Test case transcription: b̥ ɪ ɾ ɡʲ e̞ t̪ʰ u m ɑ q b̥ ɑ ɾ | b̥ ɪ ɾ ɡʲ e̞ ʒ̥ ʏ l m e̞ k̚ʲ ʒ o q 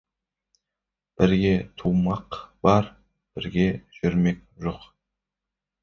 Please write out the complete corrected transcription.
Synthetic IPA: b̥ ɪ ɾ ɡʲ e̞ t̪ʰ u m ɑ q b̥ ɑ ɾ | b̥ ɪ ɾ ɡʲ e̞ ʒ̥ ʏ ɾ m e̞ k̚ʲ ʒ o q

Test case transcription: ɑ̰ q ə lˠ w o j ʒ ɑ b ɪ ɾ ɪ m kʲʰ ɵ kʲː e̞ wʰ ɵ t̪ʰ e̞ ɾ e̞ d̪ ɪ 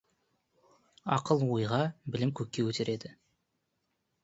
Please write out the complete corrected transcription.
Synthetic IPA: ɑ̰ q ə lˠ w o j ʁ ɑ b ɪ l ɪ m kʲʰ ɵ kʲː e̞ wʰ ɵ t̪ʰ e̞ ɾ e̞ d̪ ɪ

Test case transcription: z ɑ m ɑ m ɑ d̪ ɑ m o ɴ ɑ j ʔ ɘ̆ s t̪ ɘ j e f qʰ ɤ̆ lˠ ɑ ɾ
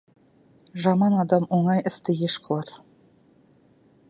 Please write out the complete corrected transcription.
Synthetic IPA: ʒ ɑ m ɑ n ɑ d̪ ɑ m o ɴ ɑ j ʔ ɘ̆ s t̪ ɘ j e ʃ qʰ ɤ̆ lˠ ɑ ɾ

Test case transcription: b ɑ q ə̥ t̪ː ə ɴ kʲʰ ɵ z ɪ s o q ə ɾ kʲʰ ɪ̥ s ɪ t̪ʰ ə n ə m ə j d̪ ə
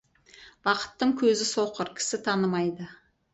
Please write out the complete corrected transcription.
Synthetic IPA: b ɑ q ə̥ t̪ː ə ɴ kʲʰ ɵ z ɪ s o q ə ɾ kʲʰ ɪ̥ s ɪ t̪ʰ ɑ n ə m ɑ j d̪ ə

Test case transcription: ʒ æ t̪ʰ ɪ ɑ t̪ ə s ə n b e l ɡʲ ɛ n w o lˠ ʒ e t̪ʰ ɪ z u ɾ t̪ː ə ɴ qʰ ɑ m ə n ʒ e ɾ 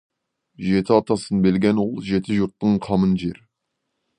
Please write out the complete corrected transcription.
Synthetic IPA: ʒ e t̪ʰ ɪ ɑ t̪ ɑ s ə n b e l ɡʲ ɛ n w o lˠ ʒ e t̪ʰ ɪ ʒ u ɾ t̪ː ə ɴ qʰ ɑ m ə n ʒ e ɾ

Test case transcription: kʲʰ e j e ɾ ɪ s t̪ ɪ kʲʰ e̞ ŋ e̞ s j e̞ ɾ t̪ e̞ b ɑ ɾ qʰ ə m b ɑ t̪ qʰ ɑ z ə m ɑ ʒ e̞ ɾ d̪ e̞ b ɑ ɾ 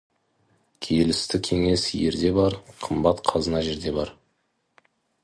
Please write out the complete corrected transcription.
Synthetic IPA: kʲʰ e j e l ɪ s t̪ ɪ kʲʰ e̞ ŋ e̞ s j e̞ ɾ d̪ e̞ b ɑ ɾ qʰ ə m b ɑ t̪ qʰ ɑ z ə n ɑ ʒ e̞ ɾ d̪ e̞ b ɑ ɾ

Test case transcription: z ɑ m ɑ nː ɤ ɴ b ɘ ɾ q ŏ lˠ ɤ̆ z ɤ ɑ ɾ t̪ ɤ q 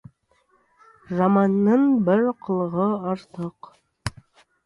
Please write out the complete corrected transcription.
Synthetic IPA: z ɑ m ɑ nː ɤ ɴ b ɘ ɾ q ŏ lˠ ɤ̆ ʁ ɤ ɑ ɾ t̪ ɤ q

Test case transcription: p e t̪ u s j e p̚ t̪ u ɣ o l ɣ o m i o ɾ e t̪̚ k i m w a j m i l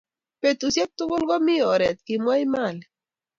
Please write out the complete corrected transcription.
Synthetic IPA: p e t̪ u s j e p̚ t̪ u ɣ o l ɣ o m i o ɾ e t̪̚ k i m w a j m a l

